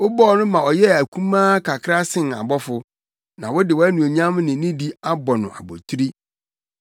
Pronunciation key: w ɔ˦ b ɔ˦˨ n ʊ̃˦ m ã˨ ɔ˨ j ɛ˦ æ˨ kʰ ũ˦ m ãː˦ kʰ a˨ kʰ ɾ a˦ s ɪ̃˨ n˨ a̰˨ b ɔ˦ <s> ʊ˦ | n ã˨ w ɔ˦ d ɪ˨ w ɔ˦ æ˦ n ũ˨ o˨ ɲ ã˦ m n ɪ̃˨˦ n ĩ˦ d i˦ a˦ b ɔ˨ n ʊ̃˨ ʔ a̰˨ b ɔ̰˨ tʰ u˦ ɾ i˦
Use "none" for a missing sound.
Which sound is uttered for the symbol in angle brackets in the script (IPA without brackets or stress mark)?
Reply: f